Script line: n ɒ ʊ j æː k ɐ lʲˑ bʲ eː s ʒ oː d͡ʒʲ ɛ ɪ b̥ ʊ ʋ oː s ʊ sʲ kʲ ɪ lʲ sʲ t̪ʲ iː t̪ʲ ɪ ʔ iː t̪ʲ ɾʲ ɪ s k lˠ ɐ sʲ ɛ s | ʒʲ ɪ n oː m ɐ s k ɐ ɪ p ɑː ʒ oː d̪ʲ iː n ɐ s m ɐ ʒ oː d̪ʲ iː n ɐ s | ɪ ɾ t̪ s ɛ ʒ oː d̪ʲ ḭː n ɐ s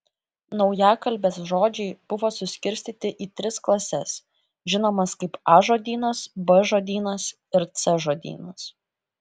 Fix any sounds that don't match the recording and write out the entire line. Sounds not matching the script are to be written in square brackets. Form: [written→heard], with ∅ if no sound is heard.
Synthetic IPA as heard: n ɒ ʊ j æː k ɐ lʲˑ bʲ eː s ʒ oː d͡ʒʲ ɛ ɪ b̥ ʊ ʋ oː s ʊ sʲ kʲ ɪ [lʲ→ɾʲ] sʲ t̪ʲ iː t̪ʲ ɪ ʔ iː t̪ʲ ɾʲ ɪ s k lˠ ɐ sʲ ɛ s | ʒʲ ɪ n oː m ɐ s k ɐ ɪ p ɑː ʒ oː d̪ʲ iː n ɐ s [m→b] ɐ ʒ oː d̪ʲ iː n ɐ s | ɪ ɾ t̪ s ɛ ʒ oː d̪ʲ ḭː n ɐ s